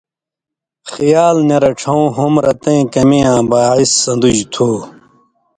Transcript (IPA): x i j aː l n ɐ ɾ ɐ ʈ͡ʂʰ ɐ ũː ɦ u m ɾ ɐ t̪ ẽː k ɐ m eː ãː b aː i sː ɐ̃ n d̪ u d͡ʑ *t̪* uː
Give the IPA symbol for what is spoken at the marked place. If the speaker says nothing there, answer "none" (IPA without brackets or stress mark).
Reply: t̪ʰ